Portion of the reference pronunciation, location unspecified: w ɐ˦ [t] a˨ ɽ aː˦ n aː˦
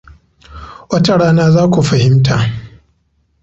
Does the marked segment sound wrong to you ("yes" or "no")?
no